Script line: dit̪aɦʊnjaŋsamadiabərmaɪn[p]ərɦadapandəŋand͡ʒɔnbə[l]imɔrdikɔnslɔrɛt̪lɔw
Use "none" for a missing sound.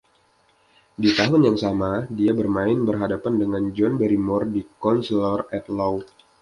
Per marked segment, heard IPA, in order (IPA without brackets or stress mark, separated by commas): b, ɾ